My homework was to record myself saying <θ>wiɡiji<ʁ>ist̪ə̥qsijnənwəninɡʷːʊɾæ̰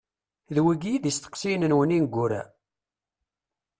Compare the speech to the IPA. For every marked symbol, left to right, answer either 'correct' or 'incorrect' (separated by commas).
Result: incorrect, incorrect